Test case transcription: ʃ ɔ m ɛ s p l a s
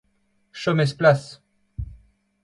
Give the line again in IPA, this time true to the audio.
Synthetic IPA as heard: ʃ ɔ m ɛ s p l a s